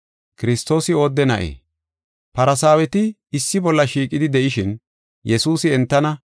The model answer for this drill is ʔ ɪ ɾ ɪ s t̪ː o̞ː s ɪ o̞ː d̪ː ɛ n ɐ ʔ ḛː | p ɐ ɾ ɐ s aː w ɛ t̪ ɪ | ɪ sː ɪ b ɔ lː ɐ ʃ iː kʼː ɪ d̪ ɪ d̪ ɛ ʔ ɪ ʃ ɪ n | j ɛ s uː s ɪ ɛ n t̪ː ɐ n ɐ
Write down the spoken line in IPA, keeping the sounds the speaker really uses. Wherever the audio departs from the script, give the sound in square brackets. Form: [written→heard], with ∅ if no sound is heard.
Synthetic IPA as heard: [ʔ→k] ɪ ɾ ɪ s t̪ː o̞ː s ɪ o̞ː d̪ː ɛ n ɐ ʔ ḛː | p ɐ ɾ ɐ s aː w ɛ t̪ ɪ | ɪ sː ɪ b ɔ lː ɐ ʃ iː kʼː ɪ d̪ ɪ d̪ ɛ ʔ ɪ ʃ ɪ n | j ɛ s uː s ɪ ɛ n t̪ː ɐ n ɐ